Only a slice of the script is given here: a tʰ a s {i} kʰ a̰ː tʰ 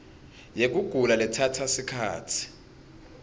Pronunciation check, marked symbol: correct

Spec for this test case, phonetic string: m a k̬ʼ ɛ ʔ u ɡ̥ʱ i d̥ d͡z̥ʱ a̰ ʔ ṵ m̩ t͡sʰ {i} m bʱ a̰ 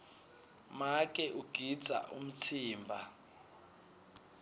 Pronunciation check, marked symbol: incorrect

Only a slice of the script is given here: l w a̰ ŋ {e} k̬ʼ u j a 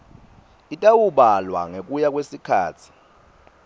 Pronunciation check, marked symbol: correct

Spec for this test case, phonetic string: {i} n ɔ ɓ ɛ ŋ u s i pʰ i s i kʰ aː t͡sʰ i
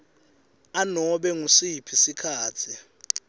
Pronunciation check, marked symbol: incorrect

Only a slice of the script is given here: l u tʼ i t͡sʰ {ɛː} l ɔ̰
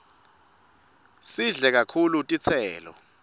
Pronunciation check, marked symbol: correct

